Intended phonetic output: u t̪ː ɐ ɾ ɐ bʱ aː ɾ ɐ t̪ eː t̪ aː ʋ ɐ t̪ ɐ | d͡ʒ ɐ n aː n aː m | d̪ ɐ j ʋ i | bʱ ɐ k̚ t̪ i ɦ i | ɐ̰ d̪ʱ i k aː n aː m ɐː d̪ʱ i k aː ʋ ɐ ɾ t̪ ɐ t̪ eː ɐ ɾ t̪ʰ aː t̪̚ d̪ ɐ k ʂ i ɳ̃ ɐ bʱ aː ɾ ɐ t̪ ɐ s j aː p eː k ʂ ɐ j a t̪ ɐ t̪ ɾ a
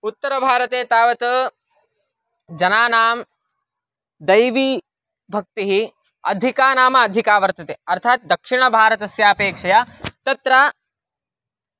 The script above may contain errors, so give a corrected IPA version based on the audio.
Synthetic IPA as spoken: u t̪ː ɐ ɾ ɐ bʱ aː ɾ ɐ t̪ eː t̪ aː ʋ ɐ t̪ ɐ | d͡ʒ ɐ n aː n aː m | d̪ ɐ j ʋ i | bʱ ɐ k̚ t̪ i ɦ i | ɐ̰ d̪ʱ i k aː n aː m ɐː d̪ʱ i k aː ʋ ɐ ɾ t̪ ɐ t̪ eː ɐ ɾ t̪ʰ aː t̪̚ d̪ ɐ k ʂ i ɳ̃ ɐ bʱ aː ɾ ɐ t̪ ɐ s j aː p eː k ʂ ɐ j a t̪ ɐ t̪ ɾ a